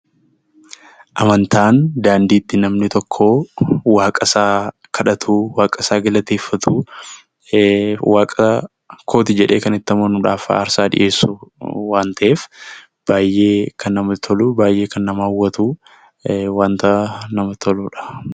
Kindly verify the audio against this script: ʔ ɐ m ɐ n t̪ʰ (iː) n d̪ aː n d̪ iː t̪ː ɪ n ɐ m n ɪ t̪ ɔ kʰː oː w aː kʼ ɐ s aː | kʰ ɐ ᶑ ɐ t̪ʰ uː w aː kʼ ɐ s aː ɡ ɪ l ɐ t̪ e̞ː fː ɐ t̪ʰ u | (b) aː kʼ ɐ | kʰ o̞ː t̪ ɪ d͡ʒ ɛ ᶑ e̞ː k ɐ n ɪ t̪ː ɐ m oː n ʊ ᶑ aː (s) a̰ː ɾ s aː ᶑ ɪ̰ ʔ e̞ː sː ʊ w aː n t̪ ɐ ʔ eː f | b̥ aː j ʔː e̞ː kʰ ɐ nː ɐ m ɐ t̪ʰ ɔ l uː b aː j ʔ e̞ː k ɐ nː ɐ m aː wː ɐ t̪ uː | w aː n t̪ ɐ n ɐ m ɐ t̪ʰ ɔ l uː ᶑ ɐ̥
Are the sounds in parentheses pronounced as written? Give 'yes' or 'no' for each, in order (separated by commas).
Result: no, no, no